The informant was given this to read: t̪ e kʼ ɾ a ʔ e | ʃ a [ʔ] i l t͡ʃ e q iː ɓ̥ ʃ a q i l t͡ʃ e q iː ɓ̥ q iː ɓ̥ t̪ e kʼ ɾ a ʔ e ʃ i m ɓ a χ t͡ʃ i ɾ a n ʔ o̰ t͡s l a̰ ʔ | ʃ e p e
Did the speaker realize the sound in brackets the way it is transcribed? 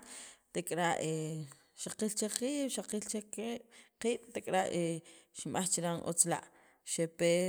no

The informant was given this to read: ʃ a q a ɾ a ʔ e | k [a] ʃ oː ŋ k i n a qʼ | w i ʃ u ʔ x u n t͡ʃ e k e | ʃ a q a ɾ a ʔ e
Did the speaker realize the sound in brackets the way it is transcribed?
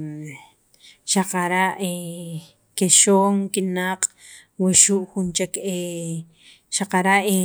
no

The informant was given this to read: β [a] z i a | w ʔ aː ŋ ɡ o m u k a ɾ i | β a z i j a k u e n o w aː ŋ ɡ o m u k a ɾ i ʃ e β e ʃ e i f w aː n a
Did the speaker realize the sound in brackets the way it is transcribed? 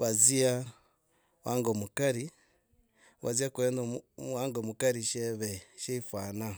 yes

